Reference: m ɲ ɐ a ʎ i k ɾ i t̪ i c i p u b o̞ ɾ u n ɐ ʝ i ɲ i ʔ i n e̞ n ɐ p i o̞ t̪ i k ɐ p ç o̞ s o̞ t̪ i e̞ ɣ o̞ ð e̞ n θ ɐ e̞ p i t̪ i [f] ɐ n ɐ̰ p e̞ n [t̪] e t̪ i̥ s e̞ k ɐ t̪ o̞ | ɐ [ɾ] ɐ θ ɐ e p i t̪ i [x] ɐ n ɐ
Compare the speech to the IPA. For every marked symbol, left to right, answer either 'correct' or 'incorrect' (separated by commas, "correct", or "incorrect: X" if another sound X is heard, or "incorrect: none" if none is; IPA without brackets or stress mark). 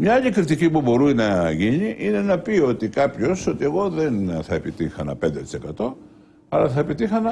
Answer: incorrect: x, incorrect: d̪, incorrect: l, correct